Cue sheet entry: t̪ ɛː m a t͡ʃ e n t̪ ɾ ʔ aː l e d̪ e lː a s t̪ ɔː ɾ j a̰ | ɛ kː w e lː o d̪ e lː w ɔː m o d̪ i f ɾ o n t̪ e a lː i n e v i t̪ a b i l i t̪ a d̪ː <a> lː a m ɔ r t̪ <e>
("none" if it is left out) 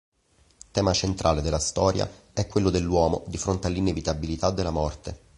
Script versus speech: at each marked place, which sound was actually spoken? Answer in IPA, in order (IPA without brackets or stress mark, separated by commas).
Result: e, e